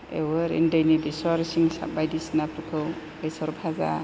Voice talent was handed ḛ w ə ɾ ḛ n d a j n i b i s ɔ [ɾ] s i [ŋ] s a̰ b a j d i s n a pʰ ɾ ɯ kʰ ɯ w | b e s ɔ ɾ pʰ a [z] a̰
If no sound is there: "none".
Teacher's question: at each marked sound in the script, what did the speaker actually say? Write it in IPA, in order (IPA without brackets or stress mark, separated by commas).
ɾ, ŋ, z